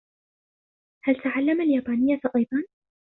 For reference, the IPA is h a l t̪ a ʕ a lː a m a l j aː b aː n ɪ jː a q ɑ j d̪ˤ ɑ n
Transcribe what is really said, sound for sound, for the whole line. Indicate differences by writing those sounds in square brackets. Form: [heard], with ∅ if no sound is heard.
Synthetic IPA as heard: h a l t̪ a ʕ a lː a m a l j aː b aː n ɪ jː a [ʔ] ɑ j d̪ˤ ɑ n

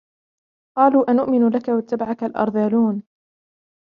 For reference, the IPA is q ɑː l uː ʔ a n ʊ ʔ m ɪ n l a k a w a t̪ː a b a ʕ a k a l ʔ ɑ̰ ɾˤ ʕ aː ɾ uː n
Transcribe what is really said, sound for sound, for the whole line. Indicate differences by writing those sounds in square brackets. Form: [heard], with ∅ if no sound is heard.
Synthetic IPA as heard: q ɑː l uː ʔ a n ʊ ʔ m ɪ n l a k a w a t̪ː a b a ʕ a k a l ʔ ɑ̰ ɾˤ [ð] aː [l] uː n

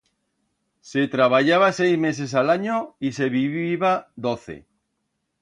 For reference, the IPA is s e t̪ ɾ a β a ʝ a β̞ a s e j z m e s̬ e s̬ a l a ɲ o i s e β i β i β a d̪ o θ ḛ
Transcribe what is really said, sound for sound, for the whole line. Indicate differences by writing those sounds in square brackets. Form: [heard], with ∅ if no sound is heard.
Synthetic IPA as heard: s e t̪ ɾ a β a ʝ a β̞ a s e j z m e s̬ e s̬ a l a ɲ o i s e β i β i β a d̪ o θ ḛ

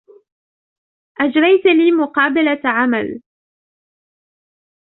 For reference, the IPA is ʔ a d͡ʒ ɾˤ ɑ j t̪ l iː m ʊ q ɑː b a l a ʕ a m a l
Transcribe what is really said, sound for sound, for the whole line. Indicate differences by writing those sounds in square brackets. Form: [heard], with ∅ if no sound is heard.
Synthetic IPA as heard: ʔ a d͡ʒ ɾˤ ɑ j t̪ l iː m ʊ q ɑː b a l a ʕ a m a l

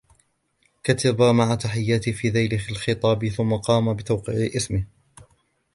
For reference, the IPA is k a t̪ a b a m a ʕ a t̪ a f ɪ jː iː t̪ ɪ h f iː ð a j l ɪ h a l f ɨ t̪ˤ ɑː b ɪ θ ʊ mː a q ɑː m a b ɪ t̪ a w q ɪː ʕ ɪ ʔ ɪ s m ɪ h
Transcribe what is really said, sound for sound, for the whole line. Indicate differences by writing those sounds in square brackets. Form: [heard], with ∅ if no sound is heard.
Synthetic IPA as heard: k a t̪ a b a m a ʕ a t̪ a [ħ] ɪ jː [aː] t̪ ɪ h f iː ð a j l ɪ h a l [x] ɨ t̪ˤ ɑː b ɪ θ ʊ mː a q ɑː m a b ɪ t̪ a w q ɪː ʕ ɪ ʔ ɪ s m ɪ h

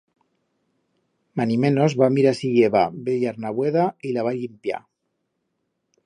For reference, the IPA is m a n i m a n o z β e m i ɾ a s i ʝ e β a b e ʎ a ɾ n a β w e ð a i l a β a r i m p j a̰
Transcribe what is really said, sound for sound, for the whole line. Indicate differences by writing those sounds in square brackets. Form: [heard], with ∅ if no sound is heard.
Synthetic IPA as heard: m a n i m [e] n o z β [a] m i ɾ a s i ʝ e β a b e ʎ a ɾ n a β w e ð a i l a β a [ʎ] i m p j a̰

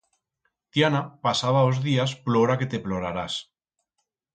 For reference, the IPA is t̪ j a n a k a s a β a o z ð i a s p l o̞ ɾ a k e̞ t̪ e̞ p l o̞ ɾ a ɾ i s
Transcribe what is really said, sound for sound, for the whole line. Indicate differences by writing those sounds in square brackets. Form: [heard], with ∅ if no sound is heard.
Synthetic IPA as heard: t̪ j a n a [p] a s a β a o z ð i a s p l o̞ ɾ a k e̞ t̪ e̞ p l o̞ ɾ a ɾ [a] s

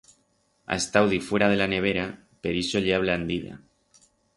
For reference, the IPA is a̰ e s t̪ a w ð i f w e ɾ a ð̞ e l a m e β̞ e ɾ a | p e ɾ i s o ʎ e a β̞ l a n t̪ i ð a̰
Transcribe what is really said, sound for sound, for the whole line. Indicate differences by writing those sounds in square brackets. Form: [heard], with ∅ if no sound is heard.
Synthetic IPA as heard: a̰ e s t̪ a w ð i f w e ɾ a ð̞ e l a [n] e β̞ e ɾ a | p e ɾ i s o ʎ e a β̞ l a n [d̪] i ð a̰

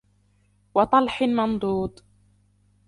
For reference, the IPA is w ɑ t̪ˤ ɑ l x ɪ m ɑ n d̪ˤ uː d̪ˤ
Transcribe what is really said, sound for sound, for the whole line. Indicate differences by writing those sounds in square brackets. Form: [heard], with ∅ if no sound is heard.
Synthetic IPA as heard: w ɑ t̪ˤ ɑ l [ħ] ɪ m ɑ n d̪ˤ uː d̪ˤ

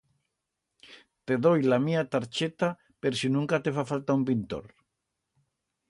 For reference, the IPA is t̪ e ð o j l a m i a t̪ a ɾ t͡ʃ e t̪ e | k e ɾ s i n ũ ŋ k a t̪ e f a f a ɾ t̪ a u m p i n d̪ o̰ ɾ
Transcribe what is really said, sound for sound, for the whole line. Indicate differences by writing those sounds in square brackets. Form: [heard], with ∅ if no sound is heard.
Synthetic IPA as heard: t̪ e ð o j l a m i a t̪ a ɾ t͡ʃ e t̪ [a] | [p] e ɾ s i n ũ ŋ k a t̪ e f a f a [l] t̪ a u m p i n [t̪] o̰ ɾ

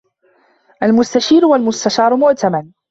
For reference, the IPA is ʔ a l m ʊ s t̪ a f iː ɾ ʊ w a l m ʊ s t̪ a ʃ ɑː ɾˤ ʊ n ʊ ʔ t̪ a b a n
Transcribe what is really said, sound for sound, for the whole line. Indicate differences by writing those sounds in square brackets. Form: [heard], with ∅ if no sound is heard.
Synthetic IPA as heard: ʔ a l m ʊ s t̪ a [ʃ] iː ɾ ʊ w a l m ʊ s t̪ a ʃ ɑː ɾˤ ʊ [m] ʊ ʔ t̪ a [m] a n

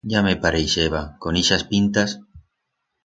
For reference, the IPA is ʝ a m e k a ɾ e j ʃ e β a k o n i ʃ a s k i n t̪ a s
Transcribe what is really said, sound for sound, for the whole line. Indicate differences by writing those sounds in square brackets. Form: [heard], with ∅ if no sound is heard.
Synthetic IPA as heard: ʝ a m e [p] a ɾ e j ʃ e β a k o n i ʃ a s [p] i n t̪ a s

